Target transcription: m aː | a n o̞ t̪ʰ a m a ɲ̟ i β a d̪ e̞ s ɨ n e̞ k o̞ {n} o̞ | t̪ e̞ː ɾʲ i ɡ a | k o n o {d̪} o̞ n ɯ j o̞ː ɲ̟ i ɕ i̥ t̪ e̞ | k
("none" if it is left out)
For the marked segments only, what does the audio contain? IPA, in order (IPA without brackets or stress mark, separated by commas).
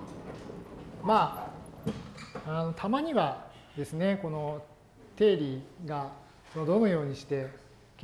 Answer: n, d̪